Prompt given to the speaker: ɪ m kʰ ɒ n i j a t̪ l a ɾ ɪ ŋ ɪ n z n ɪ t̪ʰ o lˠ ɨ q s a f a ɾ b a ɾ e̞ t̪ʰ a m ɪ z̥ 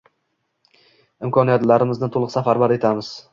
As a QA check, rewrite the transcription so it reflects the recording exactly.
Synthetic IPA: ɪ m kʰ ɒ n i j a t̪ l a ɾ ɪ m ɪ z n ɪ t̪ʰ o lˠ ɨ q s a f a ɾ b a ɾ e̞ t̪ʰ a m ɪ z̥